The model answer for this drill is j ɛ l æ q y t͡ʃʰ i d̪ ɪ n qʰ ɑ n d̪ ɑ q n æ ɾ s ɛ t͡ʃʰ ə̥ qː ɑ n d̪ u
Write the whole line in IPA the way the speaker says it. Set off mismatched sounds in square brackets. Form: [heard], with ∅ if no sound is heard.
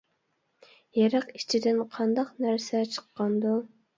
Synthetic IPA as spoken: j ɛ [ɾ] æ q [i] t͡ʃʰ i d̪ ɪ n qʰ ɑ n d̪ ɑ q n æ ɾ s ɛ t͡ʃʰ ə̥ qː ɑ n d̪ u

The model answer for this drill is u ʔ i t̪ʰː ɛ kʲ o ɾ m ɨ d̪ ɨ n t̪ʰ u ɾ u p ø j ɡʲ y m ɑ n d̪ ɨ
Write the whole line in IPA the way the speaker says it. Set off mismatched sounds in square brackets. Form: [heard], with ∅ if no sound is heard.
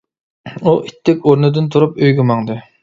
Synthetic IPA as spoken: u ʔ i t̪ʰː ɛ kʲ o ɾ [n] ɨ d̪ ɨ n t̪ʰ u ɾ u p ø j ɡʲ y m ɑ [ŋ] d̪ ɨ

